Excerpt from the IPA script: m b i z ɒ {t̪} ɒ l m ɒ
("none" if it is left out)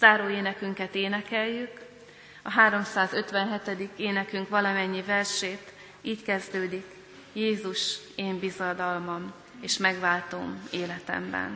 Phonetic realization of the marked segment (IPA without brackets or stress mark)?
d̪